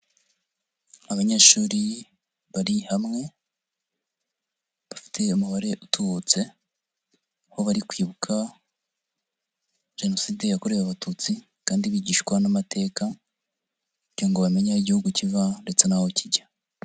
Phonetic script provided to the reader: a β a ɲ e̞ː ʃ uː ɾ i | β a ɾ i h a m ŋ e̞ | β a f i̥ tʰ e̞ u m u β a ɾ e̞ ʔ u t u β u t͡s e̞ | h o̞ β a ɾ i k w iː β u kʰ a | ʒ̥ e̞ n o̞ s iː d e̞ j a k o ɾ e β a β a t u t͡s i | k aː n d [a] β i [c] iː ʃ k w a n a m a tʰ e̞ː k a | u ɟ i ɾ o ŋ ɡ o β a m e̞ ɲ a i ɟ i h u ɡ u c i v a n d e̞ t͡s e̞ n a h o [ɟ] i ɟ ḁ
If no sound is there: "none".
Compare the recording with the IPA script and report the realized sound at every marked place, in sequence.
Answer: i, ɟ, c

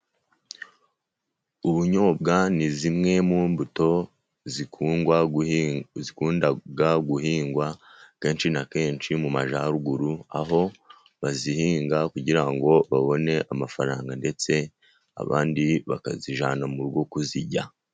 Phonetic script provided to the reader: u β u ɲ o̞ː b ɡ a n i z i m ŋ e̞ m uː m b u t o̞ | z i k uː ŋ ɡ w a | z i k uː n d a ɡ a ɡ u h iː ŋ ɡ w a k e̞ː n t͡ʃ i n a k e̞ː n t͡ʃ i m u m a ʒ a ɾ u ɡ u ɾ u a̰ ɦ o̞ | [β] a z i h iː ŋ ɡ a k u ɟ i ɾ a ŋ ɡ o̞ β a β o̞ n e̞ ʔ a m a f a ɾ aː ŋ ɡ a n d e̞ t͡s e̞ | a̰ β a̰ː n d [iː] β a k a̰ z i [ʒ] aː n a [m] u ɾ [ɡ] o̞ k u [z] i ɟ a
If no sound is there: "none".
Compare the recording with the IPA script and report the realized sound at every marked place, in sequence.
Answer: β, i, ʒ, m, ɡ, z

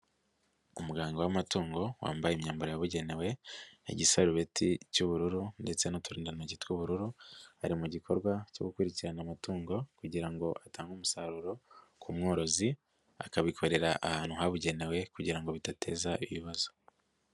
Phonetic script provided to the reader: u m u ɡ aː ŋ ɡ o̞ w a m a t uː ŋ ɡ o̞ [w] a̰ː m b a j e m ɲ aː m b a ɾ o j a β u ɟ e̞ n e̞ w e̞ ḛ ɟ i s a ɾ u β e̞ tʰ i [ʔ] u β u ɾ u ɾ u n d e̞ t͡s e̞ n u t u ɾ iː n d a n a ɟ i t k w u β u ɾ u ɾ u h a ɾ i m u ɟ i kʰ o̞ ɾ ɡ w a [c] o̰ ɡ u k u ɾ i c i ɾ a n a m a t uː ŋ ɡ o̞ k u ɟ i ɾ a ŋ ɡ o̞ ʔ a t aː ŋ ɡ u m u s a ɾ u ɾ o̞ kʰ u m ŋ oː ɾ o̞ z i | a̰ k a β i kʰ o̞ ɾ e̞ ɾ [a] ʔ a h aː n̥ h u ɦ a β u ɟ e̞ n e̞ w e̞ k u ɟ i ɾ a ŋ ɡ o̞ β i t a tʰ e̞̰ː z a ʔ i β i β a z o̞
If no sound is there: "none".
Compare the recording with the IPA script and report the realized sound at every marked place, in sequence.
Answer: w, c, c, a

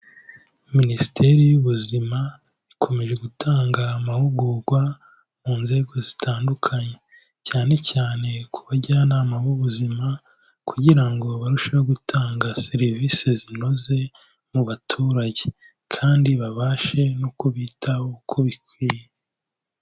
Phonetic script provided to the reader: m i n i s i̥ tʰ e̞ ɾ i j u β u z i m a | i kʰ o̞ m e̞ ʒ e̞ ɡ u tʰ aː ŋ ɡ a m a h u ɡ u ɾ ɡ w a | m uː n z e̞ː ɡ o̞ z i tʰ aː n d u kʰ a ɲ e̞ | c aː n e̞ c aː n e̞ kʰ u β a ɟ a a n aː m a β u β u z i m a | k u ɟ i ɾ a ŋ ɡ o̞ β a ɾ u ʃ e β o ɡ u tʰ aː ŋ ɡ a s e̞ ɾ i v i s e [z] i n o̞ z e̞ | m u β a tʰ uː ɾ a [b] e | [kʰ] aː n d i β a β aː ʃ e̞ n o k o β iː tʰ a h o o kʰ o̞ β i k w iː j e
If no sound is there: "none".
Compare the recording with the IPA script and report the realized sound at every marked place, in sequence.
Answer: z, ɟ, kʰ

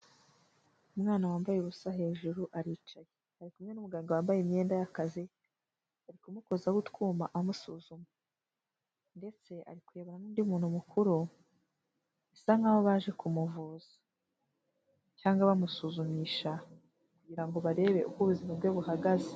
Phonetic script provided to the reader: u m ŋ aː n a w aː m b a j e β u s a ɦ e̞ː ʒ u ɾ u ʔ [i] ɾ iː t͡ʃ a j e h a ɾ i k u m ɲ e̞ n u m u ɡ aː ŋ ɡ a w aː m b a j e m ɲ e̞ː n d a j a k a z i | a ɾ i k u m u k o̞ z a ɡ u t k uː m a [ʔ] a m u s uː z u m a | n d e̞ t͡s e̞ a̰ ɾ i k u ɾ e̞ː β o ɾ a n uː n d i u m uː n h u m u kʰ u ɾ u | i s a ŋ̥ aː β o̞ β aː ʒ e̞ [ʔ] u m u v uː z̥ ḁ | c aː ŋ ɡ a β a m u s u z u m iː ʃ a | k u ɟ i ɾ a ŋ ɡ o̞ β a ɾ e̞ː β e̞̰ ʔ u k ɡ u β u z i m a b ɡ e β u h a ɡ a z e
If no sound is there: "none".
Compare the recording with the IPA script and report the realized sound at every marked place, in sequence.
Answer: a, ʔ, k

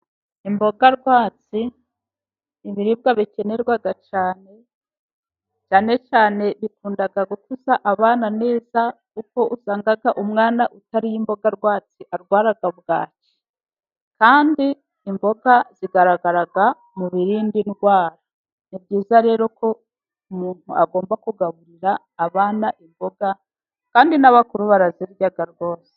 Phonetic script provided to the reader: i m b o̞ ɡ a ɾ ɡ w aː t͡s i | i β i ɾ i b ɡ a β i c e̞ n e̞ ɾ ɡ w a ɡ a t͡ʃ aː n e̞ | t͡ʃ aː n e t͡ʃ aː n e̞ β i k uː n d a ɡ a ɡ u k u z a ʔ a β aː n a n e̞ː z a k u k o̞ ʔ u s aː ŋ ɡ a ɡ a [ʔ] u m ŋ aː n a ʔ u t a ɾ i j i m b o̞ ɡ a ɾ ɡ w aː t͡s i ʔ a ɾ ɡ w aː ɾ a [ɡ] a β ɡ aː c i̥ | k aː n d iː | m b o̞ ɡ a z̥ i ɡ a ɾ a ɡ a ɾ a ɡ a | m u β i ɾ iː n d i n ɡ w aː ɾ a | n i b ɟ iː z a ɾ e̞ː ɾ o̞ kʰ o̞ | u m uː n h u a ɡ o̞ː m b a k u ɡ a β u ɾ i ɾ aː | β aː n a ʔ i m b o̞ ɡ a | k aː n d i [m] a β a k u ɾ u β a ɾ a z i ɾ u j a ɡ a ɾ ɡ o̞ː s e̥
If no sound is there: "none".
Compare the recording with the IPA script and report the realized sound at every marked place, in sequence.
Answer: ʔ, ɡ, n

